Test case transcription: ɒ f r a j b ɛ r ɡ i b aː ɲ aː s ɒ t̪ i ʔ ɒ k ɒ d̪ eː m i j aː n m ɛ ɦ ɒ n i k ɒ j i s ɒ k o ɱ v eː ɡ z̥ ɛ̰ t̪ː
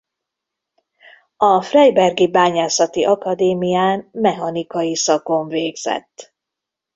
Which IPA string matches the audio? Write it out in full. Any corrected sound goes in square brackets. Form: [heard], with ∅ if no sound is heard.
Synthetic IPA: ɒ f r [ɛ] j b ɛ r ɡ i b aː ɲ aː s ɒ t̪ i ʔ ɒ k ɒ d̪ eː m i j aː n m ɛ ɦ ɒ n i k ɒ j i s ɒ k o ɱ v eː ɡ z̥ ɛ̰ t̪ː